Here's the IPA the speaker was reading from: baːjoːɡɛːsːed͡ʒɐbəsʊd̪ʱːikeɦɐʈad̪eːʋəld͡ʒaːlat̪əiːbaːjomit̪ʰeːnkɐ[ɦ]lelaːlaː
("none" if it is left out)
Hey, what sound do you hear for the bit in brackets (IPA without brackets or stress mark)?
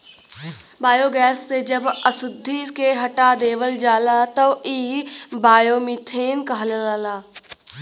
ɦ